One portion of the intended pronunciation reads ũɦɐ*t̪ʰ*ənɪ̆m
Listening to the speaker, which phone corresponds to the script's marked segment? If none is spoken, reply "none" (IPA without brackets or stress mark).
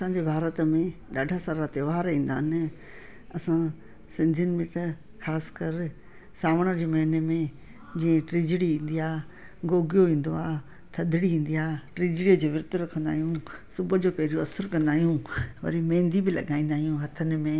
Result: t̪ʰ